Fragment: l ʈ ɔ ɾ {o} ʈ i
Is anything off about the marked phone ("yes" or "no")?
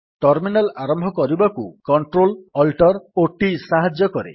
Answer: no